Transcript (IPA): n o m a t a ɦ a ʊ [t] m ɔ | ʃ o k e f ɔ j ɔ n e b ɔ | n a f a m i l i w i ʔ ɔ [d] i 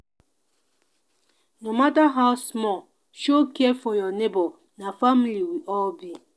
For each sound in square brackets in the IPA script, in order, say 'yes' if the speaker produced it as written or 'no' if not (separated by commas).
no, no